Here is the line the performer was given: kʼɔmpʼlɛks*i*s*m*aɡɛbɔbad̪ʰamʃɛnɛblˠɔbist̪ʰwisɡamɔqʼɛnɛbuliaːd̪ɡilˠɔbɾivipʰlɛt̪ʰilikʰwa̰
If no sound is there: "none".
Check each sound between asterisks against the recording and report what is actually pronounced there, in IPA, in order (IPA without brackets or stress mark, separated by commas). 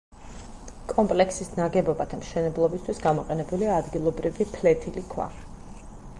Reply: i, n